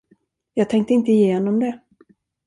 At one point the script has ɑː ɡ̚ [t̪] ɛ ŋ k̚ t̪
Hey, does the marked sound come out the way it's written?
no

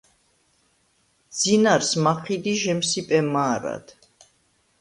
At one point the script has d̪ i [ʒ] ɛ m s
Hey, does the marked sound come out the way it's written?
yes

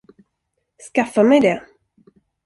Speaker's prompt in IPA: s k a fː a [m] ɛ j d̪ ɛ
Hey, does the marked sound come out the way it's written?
yes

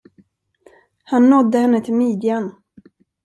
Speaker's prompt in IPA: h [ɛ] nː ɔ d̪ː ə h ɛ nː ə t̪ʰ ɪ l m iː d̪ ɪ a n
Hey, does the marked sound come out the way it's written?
no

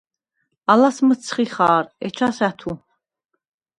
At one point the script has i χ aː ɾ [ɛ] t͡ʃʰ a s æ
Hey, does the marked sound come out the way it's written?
yes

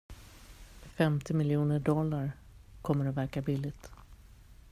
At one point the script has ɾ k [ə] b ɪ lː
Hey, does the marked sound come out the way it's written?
no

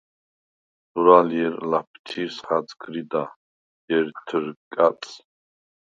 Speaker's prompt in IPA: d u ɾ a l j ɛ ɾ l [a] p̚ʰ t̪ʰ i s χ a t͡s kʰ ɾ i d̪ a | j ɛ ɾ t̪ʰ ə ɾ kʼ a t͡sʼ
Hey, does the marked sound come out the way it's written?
yes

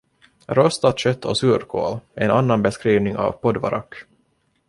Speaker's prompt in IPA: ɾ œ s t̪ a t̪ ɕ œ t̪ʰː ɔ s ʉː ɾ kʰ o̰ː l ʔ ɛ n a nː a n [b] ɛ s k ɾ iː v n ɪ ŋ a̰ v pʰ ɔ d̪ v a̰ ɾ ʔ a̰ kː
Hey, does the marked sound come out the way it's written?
yes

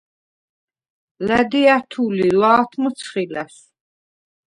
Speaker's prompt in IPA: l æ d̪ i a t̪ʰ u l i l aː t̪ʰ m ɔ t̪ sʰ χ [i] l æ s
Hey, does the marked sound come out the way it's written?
yes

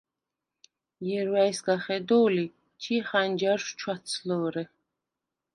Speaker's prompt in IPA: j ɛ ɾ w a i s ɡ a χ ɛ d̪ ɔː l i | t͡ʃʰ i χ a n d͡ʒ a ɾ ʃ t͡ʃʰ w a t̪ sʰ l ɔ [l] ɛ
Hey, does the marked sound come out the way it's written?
no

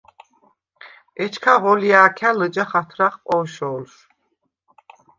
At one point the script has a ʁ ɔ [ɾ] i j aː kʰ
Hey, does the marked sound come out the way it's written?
no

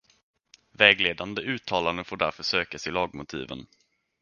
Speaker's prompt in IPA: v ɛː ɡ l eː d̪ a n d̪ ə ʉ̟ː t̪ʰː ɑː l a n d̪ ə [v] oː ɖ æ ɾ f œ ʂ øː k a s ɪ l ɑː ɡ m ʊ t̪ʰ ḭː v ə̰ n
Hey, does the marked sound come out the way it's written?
no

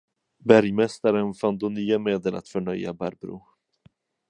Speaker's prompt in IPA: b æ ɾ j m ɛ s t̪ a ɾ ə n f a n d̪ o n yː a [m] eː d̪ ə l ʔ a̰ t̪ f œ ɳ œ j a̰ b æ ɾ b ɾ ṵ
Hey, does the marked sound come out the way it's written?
yes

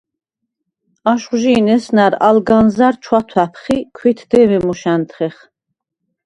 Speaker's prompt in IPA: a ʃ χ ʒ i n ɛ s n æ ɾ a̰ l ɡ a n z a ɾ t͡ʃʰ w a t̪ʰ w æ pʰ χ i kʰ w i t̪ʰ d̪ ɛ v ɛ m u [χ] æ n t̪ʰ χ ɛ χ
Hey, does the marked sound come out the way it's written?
no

